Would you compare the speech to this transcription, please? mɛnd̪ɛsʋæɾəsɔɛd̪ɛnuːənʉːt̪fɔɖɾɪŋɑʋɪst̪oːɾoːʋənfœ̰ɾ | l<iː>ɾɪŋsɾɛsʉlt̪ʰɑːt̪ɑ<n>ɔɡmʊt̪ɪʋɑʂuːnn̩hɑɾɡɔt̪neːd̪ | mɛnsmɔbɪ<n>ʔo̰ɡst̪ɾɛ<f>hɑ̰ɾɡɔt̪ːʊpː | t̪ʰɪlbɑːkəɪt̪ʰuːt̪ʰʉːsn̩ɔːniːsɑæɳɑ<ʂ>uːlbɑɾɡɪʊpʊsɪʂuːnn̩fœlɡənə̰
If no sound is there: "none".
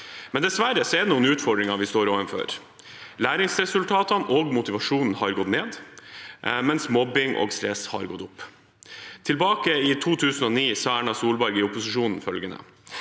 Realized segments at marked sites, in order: æː, n, ŋ, s, s

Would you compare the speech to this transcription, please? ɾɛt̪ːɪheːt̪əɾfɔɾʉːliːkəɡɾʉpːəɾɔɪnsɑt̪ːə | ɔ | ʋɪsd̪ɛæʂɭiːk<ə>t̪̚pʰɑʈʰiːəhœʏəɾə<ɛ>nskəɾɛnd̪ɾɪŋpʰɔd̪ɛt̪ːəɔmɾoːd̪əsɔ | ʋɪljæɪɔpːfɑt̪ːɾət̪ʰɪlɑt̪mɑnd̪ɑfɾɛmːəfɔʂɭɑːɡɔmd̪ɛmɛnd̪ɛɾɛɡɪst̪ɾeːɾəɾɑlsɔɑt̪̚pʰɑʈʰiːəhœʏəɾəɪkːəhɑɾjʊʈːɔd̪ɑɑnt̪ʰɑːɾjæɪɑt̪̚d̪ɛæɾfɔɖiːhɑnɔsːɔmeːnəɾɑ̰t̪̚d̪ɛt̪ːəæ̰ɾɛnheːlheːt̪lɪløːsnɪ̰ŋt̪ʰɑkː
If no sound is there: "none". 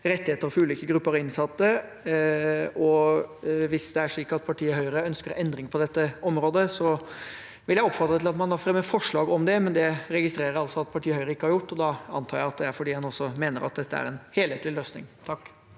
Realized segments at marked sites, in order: ɑ, œ

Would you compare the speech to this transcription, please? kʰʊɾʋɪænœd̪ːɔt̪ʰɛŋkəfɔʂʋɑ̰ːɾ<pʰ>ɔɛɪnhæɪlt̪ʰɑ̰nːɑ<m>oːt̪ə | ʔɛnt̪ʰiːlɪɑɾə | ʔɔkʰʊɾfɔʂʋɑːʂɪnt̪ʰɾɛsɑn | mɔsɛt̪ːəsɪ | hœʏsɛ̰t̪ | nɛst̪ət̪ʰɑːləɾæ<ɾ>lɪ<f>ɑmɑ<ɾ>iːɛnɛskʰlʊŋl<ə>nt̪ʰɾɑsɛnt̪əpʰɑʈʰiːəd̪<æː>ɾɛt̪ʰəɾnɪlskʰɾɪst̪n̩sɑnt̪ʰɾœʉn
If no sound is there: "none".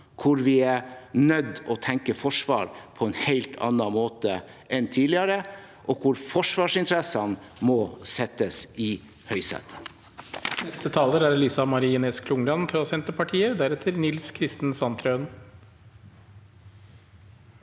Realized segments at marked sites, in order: pʰ, m, ɾ, s, ɾ, ɑ, æ

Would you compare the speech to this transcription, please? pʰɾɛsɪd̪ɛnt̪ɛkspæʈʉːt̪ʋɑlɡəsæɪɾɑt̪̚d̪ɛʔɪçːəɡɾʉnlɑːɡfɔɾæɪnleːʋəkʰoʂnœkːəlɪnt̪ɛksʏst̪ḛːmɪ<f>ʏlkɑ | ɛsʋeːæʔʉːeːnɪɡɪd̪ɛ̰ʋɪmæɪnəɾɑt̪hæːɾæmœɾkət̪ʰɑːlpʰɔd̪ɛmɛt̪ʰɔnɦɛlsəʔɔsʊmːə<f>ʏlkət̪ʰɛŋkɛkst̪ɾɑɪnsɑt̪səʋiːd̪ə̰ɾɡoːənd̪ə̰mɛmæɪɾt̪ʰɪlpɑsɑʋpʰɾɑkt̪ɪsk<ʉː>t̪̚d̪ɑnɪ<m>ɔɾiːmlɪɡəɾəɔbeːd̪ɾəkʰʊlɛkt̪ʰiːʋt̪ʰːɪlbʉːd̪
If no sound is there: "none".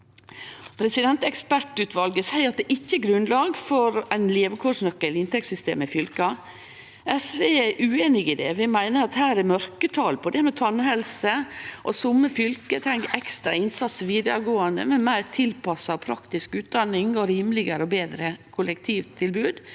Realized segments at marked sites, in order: f, f, ʉː, ŋ

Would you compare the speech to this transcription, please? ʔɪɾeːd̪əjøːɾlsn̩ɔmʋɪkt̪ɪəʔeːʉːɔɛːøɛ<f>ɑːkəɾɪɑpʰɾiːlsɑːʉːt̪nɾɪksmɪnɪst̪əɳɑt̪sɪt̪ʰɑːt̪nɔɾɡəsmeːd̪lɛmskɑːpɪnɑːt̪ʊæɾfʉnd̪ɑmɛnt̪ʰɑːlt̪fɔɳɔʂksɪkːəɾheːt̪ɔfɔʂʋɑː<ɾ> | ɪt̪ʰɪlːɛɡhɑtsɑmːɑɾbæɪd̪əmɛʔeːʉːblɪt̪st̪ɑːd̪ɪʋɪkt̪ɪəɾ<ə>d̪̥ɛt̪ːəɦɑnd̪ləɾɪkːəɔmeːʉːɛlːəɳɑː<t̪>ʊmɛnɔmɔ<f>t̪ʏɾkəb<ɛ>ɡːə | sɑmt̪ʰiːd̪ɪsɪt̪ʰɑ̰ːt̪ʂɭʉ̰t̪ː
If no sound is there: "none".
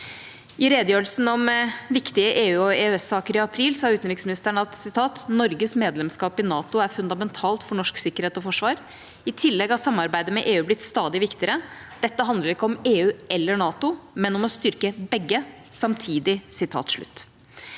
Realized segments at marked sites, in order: s, ɾ, ə, t̪, s, ɛ

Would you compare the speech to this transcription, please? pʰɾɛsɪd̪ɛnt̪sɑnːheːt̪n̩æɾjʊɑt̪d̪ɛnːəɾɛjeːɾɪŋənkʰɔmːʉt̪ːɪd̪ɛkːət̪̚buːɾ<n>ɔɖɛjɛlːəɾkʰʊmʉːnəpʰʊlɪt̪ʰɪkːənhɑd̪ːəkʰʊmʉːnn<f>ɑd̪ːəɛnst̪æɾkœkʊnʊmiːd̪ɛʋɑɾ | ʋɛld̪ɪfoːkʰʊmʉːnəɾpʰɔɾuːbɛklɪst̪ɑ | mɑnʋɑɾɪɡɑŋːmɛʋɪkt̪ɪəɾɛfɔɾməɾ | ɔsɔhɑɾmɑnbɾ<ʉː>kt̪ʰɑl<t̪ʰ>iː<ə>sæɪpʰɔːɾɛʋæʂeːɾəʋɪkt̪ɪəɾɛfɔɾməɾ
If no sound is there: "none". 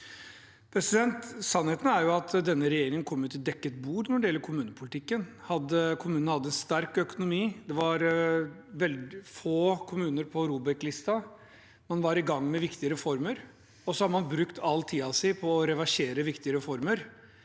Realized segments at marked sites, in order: n, h, ʉ, t̪ʰ, ɑ

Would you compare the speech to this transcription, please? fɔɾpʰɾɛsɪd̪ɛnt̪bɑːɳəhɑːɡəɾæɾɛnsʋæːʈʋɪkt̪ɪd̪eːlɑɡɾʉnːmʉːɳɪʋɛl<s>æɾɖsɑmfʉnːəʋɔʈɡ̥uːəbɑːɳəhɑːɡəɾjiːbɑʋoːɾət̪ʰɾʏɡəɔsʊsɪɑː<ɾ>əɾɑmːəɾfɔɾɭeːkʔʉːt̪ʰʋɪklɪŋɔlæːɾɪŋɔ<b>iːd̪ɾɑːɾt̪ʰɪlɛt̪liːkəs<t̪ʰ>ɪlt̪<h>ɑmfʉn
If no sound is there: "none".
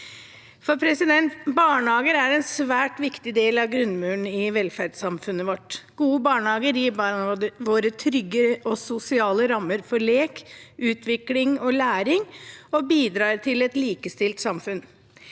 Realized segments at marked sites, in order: f, l, b, t̪, s

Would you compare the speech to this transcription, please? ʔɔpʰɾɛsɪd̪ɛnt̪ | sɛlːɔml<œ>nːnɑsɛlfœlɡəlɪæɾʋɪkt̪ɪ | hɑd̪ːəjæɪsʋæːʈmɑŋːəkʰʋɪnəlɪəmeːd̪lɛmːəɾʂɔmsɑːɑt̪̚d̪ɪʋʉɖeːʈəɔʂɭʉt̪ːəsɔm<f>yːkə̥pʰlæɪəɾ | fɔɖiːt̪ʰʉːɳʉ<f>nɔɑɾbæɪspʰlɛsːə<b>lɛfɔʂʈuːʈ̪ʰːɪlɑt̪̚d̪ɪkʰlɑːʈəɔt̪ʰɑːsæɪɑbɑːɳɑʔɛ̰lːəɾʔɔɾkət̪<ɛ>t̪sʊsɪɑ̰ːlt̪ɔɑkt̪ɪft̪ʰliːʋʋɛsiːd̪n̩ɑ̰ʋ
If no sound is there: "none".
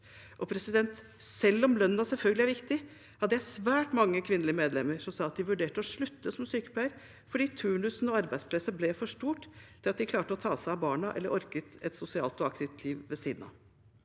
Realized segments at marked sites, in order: œ, s, s, b, ɛ

